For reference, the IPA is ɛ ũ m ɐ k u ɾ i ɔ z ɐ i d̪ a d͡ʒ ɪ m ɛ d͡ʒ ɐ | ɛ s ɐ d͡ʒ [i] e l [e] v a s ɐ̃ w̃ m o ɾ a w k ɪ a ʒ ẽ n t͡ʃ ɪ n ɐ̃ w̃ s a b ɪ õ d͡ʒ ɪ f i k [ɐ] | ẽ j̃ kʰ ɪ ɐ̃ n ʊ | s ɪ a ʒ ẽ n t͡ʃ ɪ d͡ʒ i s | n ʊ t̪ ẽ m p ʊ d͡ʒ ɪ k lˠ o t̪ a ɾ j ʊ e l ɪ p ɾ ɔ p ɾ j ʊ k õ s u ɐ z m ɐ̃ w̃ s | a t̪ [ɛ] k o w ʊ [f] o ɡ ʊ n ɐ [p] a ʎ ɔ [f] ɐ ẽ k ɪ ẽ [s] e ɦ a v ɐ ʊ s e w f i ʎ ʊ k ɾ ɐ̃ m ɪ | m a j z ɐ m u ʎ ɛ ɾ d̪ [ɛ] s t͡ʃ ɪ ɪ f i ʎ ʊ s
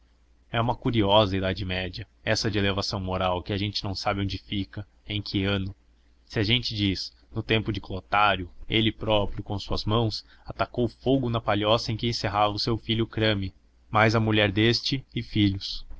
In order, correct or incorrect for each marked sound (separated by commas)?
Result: incorrect, correct, correct, incorrect, correct, correct, incorrect, correct, incorrect